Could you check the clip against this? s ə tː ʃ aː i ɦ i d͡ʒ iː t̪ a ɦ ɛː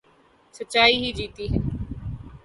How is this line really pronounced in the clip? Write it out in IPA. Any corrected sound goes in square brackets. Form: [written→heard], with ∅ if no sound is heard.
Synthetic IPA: s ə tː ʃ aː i ɦ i d͡ʒ iː t̪ [a→i] ɦ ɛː